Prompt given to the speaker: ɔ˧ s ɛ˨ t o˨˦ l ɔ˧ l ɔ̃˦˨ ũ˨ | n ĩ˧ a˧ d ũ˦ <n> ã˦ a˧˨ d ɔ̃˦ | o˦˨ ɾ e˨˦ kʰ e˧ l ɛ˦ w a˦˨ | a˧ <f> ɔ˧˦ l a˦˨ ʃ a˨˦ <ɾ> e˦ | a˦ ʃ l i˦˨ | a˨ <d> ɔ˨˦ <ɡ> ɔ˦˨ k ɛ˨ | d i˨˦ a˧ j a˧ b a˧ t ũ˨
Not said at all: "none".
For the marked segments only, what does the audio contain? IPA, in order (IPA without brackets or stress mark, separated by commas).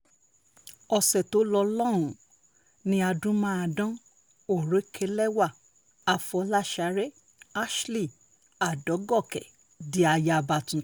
m, f, ɾ, d, ɡ